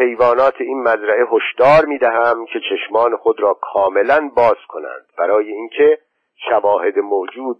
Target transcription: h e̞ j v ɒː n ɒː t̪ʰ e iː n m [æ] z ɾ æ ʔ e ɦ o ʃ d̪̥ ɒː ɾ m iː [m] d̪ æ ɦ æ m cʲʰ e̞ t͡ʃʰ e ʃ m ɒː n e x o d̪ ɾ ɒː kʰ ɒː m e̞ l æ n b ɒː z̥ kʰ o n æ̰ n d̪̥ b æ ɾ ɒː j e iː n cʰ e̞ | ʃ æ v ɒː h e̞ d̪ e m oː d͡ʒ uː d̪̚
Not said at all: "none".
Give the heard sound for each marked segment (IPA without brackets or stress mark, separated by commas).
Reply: æ, none